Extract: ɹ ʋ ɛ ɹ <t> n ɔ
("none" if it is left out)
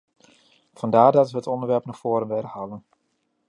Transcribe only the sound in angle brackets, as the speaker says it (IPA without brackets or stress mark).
p